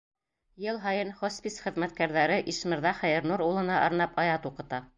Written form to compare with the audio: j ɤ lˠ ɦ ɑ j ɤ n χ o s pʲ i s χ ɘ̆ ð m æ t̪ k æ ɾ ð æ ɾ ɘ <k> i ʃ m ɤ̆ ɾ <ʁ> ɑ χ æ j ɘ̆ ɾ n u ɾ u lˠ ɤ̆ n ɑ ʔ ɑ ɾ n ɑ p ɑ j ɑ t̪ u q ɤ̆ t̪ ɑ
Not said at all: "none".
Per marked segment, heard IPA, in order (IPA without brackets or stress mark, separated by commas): ʔ, ð